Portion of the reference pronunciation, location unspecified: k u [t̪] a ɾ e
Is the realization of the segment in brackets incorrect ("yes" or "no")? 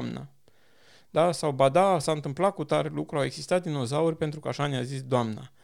no